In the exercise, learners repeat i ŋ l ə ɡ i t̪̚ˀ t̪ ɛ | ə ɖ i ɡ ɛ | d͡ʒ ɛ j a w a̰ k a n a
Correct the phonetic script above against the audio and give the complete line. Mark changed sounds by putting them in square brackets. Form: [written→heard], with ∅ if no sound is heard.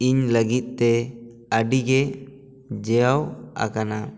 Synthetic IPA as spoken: i [ŋ→ɲ] l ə ɡ i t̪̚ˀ t̪ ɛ | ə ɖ i ɡ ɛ | d͡ʒ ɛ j a w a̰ k a n a